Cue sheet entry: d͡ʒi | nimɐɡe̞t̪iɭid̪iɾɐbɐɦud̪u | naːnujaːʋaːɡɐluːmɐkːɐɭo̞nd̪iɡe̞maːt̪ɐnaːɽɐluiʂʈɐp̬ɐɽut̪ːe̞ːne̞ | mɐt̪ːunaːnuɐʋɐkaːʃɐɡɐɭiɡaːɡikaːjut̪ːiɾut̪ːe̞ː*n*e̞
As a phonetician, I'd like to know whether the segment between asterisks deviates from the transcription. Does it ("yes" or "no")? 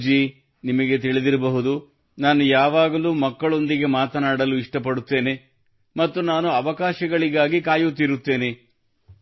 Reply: no